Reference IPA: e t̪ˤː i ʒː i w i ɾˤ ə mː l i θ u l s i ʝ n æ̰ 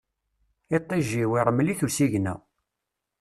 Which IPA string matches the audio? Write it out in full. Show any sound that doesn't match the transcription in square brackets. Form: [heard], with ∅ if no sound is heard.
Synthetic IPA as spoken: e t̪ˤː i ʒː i w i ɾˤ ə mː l i θ u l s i ʝ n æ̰